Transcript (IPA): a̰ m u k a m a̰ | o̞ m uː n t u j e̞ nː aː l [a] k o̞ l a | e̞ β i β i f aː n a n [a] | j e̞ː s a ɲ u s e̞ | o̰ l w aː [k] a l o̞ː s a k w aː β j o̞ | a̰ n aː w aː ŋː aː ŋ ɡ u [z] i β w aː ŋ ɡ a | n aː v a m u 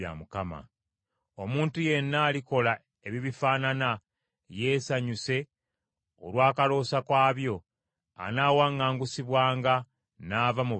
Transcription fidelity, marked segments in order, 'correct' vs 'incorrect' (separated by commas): incorrect, correct, correct, incorrect